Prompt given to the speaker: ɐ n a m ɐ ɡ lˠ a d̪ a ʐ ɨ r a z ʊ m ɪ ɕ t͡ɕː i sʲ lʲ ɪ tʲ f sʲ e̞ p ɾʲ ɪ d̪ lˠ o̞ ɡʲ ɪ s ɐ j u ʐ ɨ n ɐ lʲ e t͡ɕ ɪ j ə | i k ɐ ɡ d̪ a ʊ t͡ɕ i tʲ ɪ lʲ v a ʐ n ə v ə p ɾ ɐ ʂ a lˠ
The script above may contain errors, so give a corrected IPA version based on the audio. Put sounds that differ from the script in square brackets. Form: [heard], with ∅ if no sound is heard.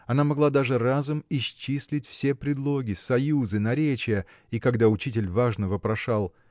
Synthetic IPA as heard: ɐ n a m ɐ ɡ lˠ a d̪ a ʐ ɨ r a z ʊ m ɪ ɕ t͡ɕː i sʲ lʲ ɪ tʲ f sʲ e̞ p ɾʲ ɪ d̪ lˠ o̞ ɡʲ ɪ s ɐ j u [z] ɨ n ɐ [ɾʲ] e t͡ɕ ɪ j ə | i k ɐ ɡ d̪ a ʊ t͡ɕ i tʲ ɪ lʲ v a ʐ n ə v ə p ɾ ɐ ʂ a lˠ

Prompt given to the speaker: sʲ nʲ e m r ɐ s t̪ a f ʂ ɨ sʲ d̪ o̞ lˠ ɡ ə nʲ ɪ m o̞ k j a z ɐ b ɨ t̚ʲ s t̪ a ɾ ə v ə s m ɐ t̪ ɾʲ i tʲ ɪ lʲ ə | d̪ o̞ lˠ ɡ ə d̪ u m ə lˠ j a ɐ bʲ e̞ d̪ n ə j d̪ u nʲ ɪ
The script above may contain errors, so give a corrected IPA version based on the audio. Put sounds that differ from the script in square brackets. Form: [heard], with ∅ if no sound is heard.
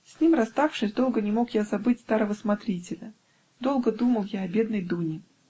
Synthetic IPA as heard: sʲ nʲ [i] m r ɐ s t̪ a f ʂ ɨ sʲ d̪ o̞ lˠ ɡ ə nʲ ɪ m o̞ k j a z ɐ b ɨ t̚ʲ s t̪ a ɾ ə v ə s m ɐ t̪ ɾʲ i tʲ ɪ lʲ ə | d̪ o̞ lˠ ɡ ə d̪ u m ə lˠ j a ɐ bʲ e̞ d̪ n ə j d̪ u nʲ ɪ

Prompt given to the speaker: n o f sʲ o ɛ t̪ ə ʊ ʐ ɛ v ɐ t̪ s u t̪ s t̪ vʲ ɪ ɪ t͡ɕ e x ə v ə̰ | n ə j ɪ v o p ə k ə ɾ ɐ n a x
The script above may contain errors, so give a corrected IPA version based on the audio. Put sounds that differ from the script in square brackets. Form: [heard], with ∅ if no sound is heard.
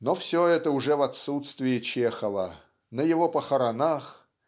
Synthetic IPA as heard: n o f sʲ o ɛ t̪ ə ʊ ʐ ɛ v ɐ t̪ s u t̪ s t̪ vʲ ɪ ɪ t͡ɕ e x ə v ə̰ | n ə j ɪ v o p ə [x] ə ɾ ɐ n a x

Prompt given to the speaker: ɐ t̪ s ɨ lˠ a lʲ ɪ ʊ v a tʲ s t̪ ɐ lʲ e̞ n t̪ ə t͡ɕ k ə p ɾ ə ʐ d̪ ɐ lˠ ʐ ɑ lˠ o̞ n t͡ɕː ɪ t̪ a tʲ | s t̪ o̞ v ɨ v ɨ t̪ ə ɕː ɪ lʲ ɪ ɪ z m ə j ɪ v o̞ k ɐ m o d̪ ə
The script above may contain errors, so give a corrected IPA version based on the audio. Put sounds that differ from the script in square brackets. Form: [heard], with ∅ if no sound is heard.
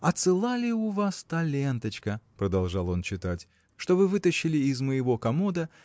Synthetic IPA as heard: ɐ t̪ s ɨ lˠ a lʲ ɪ ʊ v a [∅] s t̪ ɐ lʲ e̞ n t̪ ə t͡ɕ k ə p ɾ ə [∅] d̪ ɐ lˠ ʐ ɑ lˠ o̞ n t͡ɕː ɪ t̪ a tʲ | [ʂ] t̪ o̞ v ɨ v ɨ t̪ ə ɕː ɪ lʲ ɪ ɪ z m ə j ɪ v o̞ k ɐ m o d̪ ə

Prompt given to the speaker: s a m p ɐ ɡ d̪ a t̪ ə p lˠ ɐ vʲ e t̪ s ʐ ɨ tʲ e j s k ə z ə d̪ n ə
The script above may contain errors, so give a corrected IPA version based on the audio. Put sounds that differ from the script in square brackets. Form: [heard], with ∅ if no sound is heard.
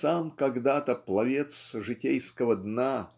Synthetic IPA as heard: s a m [k] ɐ ɡ d̪ a t̪ ə p lˠ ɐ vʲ e t̪ s ʐ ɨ tʲ e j s k ə [v] ə d̪ n [a]

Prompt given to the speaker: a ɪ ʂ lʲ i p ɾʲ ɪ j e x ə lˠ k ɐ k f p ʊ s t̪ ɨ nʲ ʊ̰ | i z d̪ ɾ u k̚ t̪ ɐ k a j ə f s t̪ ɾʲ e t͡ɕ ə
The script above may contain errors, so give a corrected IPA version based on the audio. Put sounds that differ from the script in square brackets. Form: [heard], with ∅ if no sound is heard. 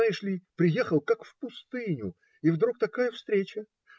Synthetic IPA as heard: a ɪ ʂ lʲ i p ɾʲ ɪ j e x ə lˠ k [a] k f p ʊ s t̪ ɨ nʲ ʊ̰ | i [v] d̪ ɾ u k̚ t̪ ɐ k a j ə f s t̪ ɾʲ e t͡ɕ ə

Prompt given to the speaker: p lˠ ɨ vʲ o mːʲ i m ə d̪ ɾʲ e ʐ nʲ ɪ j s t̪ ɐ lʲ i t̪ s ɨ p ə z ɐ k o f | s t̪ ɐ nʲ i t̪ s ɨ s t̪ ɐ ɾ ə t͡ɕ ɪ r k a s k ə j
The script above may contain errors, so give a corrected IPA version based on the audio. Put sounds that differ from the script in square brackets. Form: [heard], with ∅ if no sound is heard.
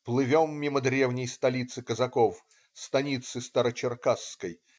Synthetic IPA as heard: p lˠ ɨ vʲ o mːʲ i m ə d̪ ɾʲ e [v] nʲ ɪ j s t̪ ɐ lʲ i t̪ s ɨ [k] ə z ɐ k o f | s t̪ ɐ nʲ i t̪ s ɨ s t̪ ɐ ɾ ə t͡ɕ ɪ r k a s k ə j

